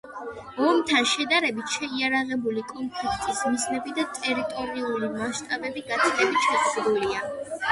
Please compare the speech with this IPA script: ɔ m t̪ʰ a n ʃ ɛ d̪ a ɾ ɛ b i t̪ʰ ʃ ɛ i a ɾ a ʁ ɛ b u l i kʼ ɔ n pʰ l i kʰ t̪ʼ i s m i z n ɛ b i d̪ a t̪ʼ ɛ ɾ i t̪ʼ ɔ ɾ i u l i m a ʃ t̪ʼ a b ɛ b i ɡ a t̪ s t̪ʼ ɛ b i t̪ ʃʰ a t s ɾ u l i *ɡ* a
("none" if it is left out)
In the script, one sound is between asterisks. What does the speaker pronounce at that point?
none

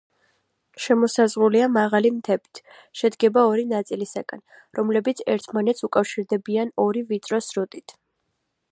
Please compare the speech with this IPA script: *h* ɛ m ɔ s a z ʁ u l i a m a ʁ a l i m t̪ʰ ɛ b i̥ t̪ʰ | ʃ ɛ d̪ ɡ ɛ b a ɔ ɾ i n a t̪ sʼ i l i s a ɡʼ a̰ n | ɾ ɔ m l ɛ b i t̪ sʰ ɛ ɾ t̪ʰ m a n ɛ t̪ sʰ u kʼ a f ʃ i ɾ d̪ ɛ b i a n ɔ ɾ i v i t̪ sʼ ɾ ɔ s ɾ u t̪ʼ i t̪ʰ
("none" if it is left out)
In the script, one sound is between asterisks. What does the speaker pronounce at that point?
ʃ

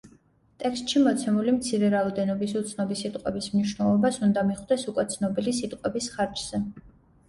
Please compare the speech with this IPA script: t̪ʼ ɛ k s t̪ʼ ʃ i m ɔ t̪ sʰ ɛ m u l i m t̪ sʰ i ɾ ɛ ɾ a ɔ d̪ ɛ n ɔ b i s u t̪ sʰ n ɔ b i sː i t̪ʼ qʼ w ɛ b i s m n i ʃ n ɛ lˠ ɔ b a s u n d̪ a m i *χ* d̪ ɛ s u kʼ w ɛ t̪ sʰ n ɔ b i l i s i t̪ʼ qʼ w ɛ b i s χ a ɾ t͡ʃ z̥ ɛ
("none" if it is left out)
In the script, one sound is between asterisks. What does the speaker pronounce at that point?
χ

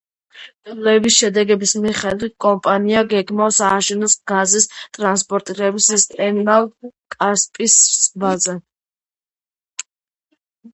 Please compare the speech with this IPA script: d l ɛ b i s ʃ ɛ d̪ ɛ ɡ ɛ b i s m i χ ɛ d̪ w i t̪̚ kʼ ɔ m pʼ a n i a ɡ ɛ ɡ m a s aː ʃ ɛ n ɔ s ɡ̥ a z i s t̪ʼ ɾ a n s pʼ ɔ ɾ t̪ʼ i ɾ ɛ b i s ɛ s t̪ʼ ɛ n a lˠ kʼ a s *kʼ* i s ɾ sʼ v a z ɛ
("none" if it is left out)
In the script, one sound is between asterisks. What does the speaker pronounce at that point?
pʼ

